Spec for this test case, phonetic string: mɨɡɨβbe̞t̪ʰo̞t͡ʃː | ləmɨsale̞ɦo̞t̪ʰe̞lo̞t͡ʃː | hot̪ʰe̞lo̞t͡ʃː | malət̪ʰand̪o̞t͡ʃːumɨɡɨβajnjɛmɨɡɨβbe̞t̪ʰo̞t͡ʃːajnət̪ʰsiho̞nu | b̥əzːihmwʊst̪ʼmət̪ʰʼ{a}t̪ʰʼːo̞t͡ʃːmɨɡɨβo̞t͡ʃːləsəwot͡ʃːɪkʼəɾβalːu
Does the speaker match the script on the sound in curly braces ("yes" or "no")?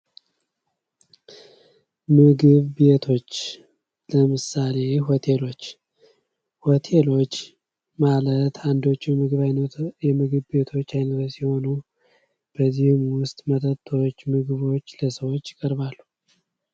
no